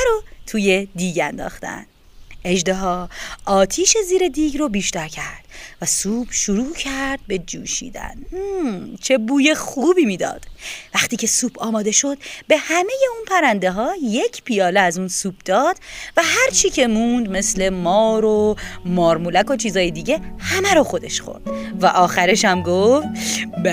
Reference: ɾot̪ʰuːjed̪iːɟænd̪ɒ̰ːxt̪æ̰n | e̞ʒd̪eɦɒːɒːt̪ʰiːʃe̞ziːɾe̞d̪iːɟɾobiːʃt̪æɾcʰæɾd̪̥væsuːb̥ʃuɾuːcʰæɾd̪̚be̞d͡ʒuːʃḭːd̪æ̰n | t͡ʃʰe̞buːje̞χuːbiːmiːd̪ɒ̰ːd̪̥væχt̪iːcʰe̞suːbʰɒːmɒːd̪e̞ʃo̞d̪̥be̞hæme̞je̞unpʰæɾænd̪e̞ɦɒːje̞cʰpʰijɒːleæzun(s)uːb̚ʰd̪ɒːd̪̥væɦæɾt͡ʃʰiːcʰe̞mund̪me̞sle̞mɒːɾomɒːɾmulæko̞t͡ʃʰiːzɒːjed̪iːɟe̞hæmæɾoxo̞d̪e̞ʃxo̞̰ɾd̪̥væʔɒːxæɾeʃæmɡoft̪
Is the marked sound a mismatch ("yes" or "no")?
no